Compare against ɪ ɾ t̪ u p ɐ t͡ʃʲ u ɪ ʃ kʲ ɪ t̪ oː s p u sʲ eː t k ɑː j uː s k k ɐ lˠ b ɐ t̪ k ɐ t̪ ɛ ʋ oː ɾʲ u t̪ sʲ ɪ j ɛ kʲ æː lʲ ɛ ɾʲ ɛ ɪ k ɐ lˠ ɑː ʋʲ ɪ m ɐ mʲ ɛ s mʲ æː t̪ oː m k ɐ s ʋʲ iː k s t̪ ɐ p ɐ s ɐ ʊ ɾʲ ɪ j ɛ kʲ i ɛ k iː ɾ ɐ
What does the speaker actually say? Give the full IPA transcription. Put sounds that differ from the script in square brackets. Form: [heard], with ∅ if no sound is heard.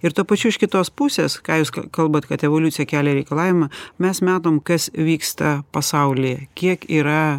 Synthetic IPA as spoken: ɪ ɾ t̪ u p ɐ t͡ʃʲ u ɪ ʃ kʲ ɪ t̪ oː s p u sʲ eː [s] k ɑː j uː s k k ɐ lˠ b ɐ t̪ k ɐ t̪ ɛ ʋ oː [lʲ] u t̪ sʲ ɪ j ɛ kʲ æː lʲ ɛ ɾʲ ɛ ɪ k ɐ lˠ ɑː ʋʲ ɪ m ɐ mʲ ɛ s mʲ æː t̪ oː m k ɐ s ʋʲ iː k s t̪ ɐ p ɐ s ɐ ʊ [lʲ] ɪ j ɛ kʲ i ɛ k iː ɾ ɐ